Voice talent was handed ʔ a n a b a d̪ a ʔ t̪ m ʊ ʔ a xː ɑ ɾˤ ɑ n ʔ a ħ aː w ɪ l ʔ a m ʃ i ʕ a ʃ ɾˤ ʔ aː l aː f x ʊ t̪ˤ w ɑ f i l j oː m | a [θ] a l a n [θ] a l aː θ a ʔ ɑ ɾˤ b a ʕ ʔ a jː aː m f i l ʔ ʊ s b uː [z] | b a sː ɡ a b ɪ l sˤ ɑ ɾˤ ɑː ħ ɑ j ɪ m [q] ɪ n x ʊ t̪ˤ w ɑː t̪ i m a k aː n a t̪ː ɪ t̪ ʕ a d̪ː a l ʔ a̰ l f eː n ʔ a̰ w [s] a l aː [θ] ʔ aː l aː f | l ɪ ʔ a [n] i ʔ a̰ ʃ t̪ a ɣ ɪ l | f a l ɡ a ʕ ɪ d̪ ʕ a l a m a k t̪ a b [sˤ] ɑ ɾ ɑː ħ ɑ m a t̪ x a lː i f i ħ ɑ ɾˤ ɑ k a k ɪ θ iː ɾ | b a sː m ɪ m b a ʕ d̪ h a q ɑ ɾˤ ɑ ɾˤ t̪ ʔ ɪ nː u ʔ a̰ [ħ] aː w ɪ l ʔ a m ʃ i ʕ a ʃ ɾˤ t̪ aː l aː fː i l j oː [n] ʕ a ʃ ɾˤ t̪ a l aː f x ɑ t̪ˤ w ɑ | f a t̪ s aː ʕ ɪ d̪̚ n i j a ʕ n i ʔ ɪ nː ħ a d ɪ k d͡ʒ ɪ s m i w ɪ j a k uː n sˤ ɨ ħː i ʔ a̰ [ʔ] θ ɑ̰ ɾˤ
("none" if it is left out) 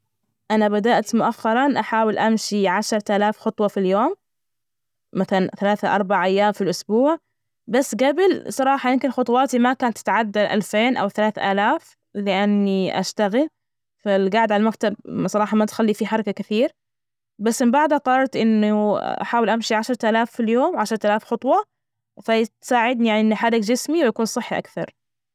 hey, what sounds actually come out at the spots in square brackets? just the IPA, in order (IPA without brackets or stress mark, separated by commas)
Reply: θ, θ, ʕ, k, θ, θ, nː, sˤ, ħ, m, k